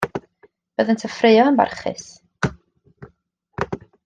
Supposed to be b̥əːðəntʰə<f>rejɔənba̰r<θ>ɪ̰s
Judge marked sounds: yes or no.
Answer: yes, no

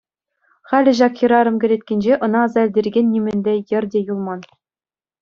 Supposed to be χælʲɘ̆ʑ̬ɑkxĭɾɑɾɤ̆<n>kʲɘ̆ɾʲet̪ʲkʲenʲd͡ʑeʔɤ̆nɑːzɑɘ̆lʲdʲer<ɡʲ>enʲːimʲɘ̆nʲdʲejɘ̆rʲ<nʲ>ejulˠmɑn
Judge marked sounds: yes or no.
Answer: no, yes, no

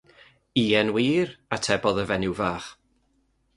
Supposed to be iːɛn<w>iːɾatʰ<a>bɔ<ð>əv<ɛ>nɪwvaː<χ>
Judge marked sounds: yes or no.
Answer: yes, no, yes, yes, yes

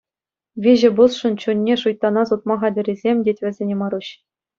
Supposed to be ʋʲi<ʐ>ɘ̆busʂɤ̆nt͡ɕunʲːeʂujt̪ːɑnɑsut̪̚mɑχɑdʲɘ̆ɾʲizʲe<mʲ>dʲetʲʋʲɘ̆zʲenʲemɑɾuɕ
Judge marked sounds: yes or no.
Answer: no, yes

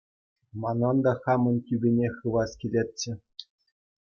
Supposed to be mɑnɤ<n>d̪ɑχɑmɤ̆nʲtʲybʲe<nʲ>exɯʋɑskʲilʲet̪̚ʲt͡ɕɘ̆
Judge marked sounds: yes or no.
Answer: yes, yes

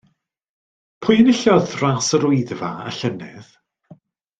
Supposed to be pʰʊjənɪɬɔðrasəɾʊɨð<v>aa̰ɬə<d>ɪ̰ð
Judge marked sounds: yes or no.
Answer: yes, no

